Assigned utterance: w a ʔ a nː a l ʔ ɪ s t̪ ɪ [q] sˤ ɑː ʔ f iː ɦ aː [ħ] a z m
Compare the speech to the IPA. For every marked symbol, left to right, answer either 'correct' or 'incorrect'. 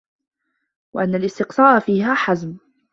correct, correct

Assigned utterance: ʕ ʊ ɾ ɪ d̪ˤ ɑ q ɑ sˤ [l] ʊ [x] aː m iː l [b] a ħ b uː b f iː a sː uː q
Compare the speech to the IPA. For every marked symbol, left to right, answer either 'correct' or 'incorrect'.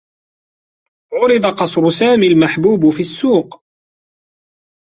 incorrect, incorrect, incorrect

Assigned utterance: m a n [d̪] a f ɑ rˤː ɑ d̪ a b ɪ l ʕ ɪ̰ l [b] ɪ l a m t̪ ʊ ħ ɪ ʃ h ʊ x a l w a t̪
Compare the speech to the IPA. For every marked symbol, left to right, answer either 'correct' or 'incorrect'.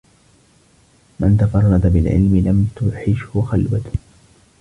incorrect, incorrect

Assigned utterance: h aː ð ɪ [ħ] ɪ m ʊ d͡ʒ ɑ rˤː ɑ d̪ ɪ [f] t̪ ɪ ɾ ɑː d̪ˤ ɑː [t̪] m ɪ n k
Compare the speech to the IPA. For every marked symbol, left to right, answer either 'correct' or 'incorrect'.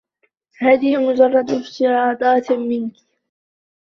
incorrect, correct, correct

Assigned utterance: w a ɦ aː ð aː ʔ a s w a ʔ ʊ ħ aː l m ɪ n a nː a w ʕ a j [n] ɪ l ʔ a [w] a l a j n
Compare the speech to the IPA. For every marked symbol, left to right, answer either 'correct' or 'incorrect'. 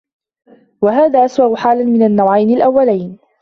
correct, incorrect

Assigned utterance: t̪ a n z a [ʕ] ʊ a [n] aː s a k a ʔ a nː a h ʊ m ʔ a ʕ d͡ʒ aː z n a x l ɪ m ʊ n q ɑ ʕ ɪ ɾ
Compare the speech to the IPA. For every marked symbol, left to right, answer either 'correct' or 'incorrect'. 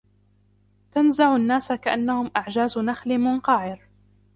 correct, incorrect

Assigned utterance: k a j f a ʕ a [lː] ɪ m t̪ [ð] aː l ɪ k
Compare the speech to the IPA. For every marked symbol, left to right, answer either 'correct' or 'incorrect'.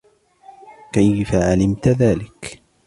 incorrect, correct

